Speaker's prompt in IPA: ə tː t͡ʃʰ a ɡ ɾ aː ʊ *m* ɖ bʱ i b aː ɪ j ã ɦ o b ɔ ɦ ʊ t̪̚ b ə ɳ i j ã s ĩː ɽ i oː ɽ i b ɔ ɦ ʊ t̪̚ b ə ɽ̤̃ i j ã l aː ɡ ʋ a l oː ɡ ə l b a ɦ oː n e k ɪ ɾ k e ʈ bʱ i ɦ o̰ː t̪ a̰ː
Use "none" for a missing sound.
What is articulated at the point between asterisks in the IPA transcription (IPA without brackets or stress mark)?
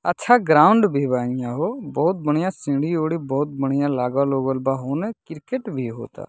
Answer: ɳ